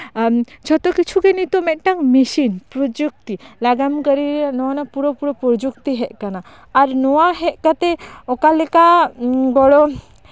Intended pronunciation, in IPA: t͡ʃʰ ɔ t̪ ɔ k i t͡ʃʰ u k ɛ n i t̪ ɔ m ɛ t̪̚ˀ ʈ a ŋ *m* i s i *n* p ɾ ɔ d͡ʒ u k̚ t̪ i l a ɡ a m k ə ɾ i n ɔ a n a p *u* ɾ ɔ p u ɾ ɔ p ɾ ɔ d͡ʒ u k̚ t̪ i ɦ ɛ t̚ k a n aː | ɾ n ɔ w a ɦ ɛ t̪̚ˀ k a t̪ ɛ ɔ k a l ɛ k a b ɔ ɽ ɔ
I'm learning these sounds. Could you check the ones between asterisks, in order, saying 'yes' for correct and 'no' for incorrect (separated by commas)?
yes, yes, yes